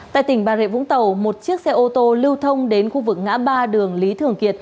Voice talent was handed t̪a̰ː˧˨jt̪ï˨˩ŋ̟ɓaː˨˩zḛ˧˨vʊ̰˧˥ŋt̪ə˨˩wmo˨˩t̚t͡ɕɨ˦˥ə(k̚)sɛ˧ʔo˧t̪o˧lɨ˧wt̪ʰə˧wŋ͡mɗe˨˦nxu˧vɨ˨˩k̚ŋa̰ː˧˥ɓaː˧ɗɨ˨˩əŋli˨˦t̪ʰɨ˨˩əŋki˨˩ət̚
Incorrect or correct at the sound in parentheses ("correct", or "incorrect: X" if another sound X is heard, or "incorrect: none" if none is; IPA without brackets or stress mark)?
correct